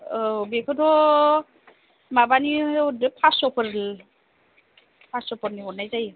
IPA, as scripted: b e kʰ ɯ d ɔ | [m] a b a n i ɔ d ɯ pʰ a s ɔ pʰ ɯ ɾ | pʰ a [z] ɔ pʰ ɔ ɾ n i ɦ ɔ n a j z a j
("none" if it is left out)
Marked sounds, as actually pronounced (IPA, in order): m, s

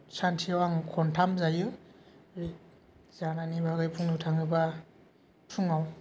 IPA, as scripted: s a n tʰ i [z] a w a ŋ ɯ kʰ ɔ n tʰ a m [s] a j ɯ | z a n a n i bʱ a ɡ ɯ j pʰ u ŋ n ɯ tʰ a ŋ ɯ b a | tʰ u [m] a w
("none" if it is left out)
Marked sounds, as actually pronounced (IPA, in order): none, z, ŋ

